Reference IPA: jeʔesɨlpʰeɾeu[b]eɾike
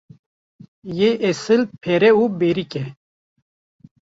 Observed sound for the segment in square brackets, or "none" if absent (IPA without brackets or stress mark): b